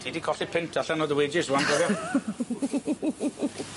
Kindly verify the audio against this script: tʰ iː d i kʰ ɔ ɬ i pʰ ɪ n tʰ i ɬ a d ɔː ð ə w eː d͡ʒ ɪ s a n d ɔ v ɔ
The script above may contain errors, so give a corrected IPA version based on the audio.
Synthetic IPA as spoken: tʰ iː d i kʰ ɔ ɬ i pʰ ɪ n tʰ a ɬ a n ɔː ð ə w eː d͡ʒ ɪ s a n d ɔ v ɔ